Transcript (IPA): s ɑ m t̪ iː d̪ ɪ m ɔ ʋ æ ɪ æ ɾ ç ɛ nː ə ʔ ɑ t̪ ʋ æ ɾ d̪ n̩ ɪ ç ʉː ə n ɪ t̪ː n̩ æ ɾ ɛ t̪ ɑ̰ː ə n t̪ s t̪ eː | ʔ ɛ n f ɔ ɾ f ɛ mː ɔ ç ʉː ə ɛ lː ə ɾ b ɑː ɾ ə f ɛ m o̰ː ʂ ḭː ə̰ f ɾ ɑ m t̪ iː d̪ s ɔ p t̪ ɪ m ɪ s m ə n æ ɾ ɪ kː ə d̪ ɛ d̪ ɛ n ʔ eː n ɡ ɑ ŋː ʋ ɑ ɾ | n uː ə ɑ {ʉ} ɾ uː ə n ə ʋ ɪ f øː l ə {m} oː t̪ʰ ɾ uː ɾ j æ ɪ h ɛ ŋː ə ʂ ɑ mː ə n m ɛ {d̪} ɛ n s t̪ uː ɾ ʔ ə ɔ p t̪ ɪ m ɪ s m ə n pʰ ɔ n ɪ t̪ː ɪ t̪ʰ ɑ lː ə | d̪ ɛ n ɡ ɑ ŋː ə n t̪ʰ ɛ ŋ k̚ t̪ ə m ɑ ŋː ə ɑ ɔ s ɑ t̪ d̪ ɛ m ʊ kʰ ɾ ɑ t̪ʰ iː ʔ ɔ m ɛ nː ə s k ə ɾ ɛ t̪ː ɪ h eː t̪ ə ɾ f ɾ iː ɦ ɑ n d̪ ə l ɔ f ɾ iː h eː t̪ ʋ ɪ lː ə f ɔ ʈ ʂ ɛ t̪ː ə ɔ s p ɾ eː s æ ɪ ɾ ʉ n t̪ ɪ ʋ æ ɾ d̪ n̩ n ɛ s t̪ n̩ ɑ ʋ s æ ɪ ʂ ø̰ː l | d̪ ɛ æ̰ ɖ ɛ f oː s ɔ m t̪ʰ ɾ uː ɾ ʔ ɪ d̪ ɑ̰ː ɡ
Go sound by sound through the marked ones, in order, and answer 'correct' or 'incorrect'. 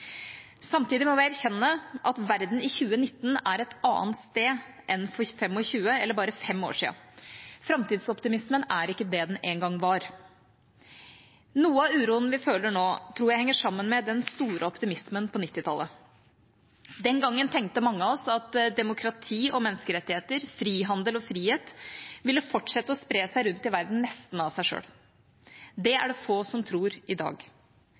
incorrect, incorrect, correct

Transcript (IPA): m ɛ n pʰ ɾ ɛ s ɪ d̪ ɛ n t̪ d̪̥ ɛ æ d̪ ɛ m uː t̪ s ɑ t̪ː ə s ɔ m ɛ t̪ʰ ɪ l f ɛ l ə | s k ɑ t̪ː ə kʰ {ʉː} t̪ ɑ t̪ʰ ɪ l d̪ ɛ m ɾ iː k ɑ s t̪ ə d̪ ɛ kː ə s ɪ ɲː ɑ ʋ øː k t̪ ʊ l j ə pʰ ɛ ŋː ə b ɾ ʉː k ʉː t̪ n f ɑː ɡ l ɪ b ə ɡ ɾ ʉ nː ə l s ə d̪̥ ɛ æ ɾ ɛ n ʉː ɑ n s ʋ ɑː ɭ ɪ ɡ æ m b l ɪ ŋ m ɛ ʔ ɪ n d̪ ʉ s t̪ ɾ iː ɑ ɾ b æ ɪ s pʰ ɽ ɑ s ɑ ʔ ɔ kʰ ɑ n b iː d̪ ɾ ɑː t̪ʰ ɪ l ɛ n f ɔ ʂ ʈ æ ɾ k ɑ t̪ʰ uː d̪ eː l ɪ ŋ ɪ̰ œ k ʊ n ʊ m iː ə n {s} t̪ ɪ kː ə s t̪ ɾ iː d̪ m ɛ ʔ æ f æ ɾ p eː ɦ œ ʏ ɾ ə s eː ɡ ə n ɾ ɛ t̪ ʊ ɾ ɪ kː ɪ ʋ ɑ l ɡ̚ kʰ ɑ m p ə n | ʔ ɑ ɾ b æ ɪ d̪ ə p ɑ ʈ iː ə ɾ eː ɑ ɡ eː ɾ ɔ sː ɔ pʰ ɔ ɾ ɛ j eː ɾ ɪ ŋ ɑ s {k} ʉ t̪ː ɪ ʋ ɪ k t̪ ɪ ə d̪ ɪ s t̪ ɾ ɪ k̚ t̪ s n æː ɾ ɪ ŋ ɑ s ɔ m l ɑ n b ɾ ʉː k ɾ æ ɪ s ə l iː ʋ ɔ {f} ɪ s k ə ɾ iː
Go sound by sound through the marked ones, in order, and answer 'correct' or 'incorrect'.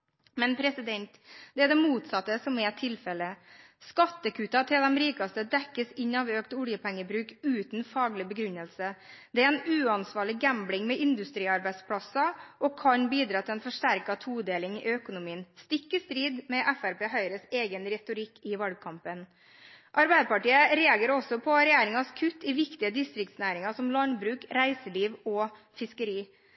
correct, correct, incorrect, correct

